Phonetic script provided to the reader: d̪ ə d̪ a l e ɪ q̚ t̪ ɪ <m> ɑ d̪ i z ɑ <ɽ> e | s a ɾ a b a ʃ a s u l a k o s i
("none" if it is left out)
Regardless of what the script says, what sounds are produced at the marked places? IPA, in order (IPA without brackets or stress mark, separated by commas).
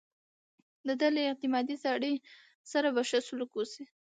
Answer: m, ɽ